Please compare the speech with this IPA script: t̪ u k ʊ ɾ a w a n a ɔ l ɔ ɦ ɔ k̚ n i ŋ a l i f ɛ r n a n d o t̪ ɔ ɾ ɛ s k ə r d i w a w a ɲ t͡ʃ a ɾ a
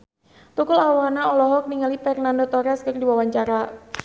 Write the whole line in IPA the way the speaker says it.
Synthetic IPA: t̪ u k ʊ l a w a n a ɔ l ɔ ɦ ɔ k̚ n i ŋ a l i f ɛ r n a n d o t̪ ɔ ɾ ɛ s k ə r d i w a w a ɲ t͡ʃ a ɾ a